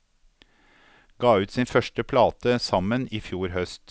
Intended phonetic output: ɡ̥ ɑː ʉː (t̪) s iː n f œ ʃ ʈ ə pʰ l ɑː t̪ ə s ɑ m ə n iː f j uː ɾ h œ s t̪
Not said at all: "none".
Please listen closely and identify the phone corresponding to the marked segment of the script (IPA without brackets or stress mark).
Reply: t̪